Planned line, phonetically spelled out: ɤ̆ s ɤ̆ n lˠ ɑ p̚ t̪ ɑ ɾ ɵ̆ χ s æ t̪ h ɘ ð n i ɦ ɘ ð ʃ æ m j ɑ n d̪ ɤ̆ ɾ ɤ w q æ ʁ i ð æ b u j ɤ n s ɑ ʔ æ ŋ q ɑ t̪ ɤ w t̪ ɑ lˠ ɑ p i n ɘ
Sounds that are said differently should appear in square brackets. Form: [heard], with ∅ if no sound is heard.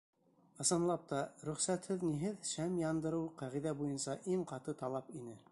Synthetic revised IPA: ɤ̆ s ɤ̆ n lˠ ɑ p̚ t̪ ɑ ɾ ɵ̆ χ s æ t̪ h ɘ ð n i ɦ ɘ ð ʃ æ m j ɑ n d̪ ɤ̆ ɾ ɤ w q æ ʁ i ð æ b u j ɤ n s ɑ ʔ [i] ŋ q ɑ t̪ ɤ [∅] t̪ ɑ lˠ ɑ p i n ɘ